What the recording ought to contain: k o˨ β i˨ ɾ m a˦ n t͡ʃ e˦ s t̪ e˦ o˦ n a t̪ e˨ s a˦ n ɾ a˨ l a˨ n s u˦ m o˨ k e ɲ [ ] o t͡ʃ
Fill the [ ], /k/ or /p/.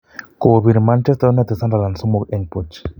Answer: p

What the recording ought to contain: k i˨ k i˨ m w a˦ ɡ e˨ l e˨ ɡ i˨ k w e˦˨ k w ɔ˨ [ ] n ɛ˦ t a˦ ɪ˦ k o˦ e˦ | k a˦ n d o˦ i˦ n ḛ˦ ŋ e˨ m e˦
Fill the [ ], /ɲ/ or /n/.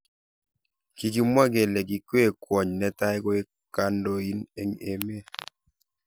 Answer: ɲ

